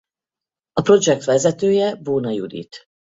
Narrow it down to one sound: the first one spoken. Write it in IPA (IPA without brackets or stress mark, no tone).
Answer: ɒ